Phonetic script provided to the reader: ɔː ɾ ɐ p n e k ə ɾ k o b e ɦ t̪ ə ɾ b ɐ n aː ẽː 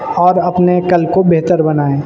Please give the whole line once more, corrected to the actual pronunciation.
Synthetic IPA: ɔː ɾ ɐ p n e k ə l k o b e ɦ t̪ ə ɾ b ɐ n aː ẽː